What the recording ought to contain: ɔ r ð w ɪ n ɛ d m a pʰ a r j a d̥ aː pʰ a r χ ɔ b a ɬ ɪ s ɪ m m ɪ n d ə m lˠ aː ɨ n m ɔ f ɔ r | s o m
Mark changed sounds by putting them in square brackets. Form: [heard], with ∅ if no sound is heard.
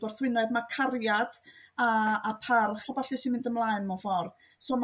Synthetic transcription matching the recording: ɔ r [θ] w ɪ n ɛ d m a [kʰ] a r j a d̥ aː pʰ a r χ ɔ b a ɬ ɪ s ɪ [n] m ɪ n d ə m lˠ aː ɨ n m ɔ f ɔ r | s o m